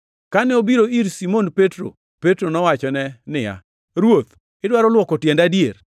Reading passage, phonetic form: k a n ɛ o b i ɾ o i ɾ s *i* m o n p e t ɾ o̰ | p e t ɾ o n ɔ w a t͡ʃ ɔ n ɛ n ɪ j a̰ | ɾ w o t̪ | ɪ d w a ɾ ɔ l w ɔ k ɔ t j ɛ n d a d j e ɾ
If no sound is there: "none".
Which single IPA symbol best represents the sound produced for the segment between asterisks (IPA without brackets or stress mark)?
i